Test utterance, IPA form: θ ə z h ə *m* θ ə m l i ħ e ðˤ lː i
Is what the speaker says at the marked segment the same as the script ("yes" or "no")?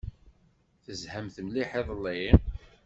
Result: yes